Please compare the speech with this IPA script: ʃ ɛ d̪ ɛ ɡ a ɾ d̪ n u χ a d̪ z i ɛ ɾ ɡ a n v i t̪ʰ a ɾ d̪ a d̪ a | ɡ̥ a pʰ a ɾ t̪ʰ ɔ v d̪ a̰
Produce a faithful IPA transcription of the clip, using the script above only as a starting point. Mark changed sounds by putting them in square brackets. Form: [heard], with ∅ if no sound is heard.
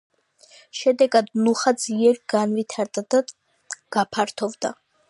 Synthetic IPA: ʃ ɛ d̪ ɛ ɡ a [∅] d̪ n u χ a d̪ z i ɛ ɾ ɡ a n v i t̪ʰ a ɾ d̪ a d̪ a | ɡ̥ a pʰ a ɾ t̪ʰ ɔ v d̪ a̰

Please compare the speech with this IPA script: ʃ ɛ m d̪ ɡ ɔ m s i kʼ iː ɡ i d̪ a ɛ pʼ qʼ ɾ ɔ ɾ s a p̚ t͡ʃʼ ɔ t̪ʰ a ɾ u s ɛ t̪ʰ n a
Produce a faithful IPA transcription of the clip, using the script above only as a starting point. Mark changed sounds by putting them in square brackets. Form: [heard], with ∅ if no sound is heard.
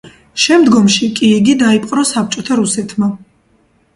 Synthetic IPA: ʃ ɛ m d̪ ɡ ɔ m [ʃ] i kʼ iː ɡ i d̪ a [i] pʼ qʼ ɾ ɔ [∅] s a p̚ t͡ʃʼ ɔ t̪ʰ a ɾ u s ɛ t̪ʰ [m] a

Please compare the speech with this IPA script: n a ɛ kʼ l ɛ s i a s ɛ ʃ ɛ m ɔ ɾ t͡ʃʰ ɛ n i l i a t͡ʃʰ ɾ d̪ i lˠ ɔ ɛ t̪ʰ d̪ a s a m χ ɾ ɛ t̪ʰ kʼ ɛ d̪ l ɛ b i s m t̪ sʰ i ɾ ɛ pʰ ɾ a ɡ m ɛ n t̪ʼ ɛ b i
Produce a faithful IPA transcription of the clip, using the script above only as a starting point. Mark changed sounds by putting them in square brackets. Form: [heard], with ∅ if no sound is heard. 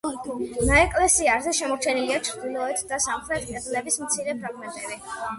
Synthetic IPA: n a ɛ kʼ l ɛ s i a [z] ɛ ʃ ɛ m ɔ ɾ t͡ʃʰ ɛ n i l i a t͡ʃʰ ɾ d̪ i lˠ ɔ ɛ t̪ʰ d̪ a s a m χ ɾ ɛ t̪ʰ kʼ ɛ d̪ l ɛ b i s m t̪ sʰ i ɾ ɛ pʰ ɾ a ɡ m ɛ n t̪ʼ ɛ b i

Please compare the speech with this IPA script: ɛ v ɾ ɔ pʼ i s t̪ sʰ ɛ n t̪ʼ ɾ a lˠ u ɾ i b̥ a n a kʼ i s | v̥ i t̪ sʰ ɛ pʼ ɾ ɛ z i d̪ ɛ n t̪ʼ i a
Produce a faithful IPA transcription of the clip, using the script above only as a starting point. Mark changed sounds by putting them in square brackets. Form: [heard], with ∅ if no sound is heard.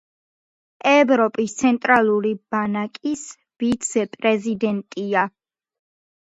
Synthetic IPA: ɛ v ɾ ɔ pʼ i s t̪ sʰ ɛ n t̪ʼ ɾ a lˠ u ɾ i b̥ a n a kʼ i s | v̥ i t̪ sʰ ɛ pʼ ɾ ɛ z i d̪ ɛ n t̪ʼ i a

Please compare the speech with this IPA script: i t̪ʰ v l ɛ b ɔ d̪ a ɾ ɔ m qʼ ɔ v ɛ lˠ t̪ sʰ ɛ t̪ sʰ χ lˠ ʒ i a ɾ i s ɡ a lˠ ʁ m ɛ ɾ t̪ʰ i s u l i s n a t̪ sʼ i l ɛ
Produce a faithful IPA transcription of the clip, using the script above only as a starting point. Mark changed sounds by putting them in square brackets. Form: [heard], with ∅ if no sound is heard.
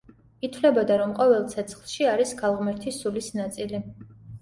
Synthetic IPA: i t̪ʰ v l ɛ b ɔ d̪ a ɾ ɔ m qʼ ɔ v ɛ lˠ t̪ sʰ ɛ t̪ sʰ χ lˠ [ʃ] i a ɾ i s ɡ a lˠ ʁ m ɛ ɾ t̪ʰ i s u l i s n a t̪ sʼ i l [i]

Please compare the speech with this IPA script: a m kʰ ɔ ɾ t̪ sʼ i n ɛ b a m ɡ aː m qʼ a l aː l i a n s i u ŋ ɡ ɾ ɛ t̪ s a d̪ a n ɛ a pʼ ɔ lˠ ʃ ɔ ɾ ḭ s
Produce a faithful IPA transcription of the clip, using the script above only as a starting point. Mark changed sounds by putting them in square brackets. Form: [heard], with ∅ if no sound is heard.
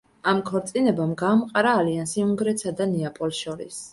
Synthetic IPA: a m kʰ ɔ ɾ t̪ sʼ i n ɛ b a m ɡ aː m qʼ a [ɾ] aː l i a n s i u ŋ ɡ ɾ ɛ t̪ s a d̪ a n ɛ a pʼ ɔ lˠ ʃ ɔ ɾ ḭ s

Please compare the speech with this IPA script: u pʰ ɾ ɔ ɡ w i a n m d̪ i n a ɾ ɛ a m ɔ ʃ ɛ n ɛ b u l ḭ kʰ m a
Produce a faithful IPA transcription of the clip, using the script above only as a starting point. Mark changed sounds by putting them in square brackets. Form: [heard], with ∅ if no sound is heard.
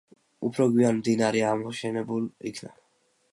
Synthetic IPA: u pʰ ɾ ɔ ɡ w i a n m d̪ i n a ɾ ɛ a m ɔ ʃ ɛ n ɛ b u l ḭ kʰ [n] a

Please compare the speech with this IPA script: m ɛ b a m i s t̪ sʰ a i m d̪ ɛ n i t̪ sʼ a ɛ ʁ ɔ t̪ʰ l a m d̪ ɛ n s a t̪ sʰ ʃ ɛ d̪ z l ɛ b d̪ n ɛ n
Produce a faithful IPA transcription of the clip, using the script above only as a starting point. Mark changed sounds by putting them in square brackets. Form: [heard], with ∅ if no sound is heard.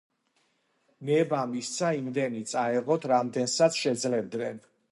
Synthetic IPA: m ɛ b a m i s t̪ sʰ a i m d̪ ɛ n i t̪ sʼ a ɛ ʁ ɔ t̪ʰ [ɾ] a m d̪ ɛ n s a t̪ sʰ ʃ ɛ d̪ z l ɛ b d̪ n ɛ n

